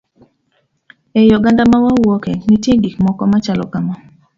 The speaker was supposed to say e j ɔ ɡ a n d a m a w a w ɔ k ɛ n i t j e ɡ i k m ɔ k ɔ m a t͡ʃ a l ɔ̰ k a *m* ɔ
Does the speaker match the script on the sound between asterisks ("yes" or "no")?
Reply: yes